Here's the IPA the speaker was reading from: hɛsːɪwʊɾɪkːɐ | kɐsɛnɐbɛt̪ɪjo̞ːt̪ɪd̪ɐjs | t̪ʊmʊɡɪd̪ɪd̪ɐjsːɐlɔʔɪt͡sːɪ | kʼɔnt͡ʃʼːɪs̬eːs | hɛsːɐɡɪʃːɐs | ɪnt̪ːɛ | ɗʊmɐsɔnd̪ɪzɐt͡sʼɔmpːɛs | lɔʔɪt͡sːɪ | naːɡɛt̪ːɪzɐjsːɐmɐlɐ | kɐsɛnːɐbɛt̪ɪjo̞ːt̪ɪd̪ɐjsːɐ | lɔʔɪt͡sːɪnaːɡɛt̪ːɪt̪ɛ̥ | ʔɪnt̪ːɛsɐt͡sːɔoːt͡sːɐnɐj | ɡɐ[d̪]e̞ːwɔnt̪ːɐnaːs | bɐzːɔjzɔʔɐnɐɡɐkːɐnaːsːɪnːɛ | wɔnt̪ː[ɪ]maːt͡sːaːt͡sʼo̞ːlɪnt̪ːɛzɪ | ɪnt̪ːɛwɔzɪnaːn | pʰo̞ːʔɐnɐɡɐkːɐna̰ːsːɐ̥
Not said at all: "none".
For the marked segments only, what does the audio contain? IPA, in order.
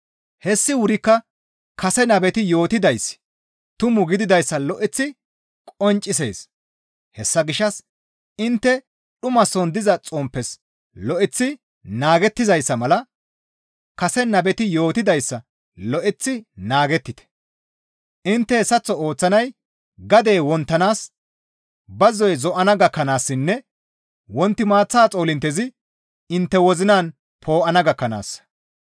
d̪, ɪ

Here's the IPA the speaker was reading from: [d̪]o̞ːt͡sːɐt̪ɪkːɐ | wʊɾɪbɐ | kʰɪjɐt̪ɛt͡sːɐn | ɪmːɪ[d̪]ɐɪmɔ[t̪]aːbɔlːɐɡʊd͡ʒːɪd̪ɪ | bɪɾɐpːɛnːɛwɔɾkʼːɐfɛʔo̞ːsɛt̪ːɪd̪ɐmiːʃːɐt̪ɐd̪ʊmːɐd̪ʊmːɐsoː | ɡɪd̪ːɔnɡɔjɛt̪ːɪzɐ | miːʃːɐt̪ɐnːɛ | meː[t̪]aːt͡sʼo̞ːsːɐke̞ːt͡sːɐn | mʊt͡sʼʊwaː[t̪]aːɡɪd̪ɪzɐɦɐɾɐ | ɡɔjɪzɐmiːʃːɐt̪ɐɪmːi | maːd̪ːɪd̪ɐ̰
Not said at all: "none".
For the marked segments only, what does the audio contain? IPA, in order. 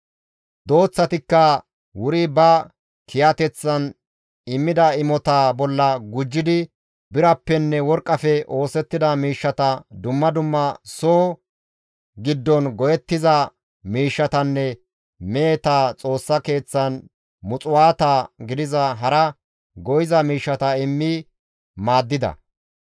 d̪, d̪, t̪, t̪, t̪

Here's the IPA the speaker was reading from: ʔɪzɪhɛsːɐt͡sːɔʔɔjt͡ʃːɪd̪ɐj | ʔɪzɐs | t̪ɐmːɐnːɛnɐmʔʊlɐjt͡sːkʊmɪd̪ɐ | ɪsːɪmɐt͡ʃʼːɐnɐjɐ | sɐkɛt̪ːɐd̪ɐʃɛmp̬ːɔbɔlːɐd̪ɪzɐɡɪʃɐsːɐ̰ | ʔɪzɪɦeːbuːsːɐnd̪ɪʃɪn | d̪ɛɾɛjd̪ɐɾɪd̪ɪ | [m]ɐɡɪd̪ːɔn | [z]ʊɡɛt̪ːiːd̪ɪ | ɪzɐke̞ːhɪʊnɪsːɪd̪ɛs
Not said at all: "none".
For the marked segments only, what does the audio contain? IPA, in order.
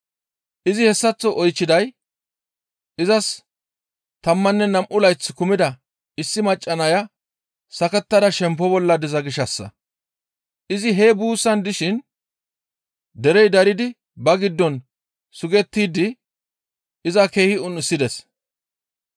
b, s

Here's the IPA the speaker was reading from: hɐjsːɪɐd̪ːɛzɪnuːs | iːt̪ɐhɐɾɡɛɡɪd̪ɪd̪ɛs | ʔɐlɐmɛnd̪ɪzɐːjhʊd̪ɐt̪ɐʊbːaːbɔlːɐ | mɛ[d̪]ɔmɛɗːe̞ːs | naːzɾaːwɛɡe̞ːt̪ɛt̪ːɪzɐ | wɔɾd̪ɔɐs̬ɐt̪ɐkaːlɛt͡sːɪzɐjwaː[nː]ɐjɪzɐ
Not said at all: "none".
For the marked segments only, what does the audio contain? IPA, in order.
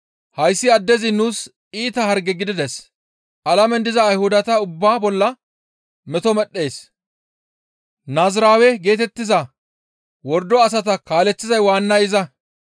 t̪, nː

